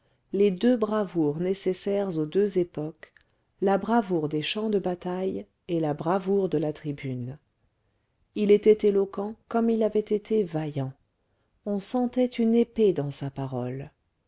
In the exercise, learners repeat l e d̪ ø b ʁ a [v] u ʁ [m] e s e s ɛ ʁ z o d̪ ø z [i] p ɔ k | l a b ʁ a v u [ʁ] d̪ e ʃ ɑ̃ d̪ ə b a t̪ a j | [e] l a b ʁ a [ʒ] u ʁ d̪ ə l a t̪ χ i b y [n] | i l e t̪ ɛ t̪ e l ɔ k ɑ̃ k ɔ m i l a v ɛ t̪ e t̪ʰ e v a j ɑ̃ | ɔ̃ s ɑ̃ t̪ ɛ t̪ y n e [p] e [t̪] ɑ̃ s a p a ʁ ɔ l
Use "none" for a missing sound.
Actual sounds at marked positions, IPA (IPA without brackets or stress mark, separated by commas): v, n, e, ʁ, e, v, n, p, d̪